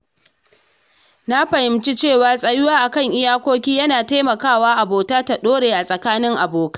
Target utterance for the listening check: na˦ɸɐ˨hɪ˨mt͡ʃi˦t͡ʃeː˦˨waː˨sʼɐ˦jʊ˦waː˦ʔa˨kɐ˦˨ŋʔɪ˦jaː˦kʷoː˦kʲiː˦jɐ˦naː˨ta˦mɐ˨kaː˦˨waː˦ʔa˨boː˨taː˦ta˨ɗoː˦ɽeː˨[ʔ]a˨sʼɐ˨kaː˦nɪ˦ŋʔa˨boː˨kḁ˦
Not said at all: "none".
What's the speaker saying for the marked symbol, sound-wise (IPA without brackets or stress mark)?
ʔ